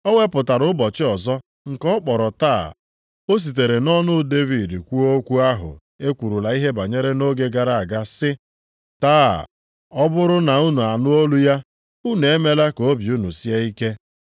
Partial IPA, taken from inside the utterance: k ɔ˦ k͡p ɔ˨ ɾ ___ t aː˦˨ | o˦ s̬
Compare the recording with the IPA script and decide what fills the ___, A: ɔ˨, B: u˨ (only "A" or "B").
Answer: A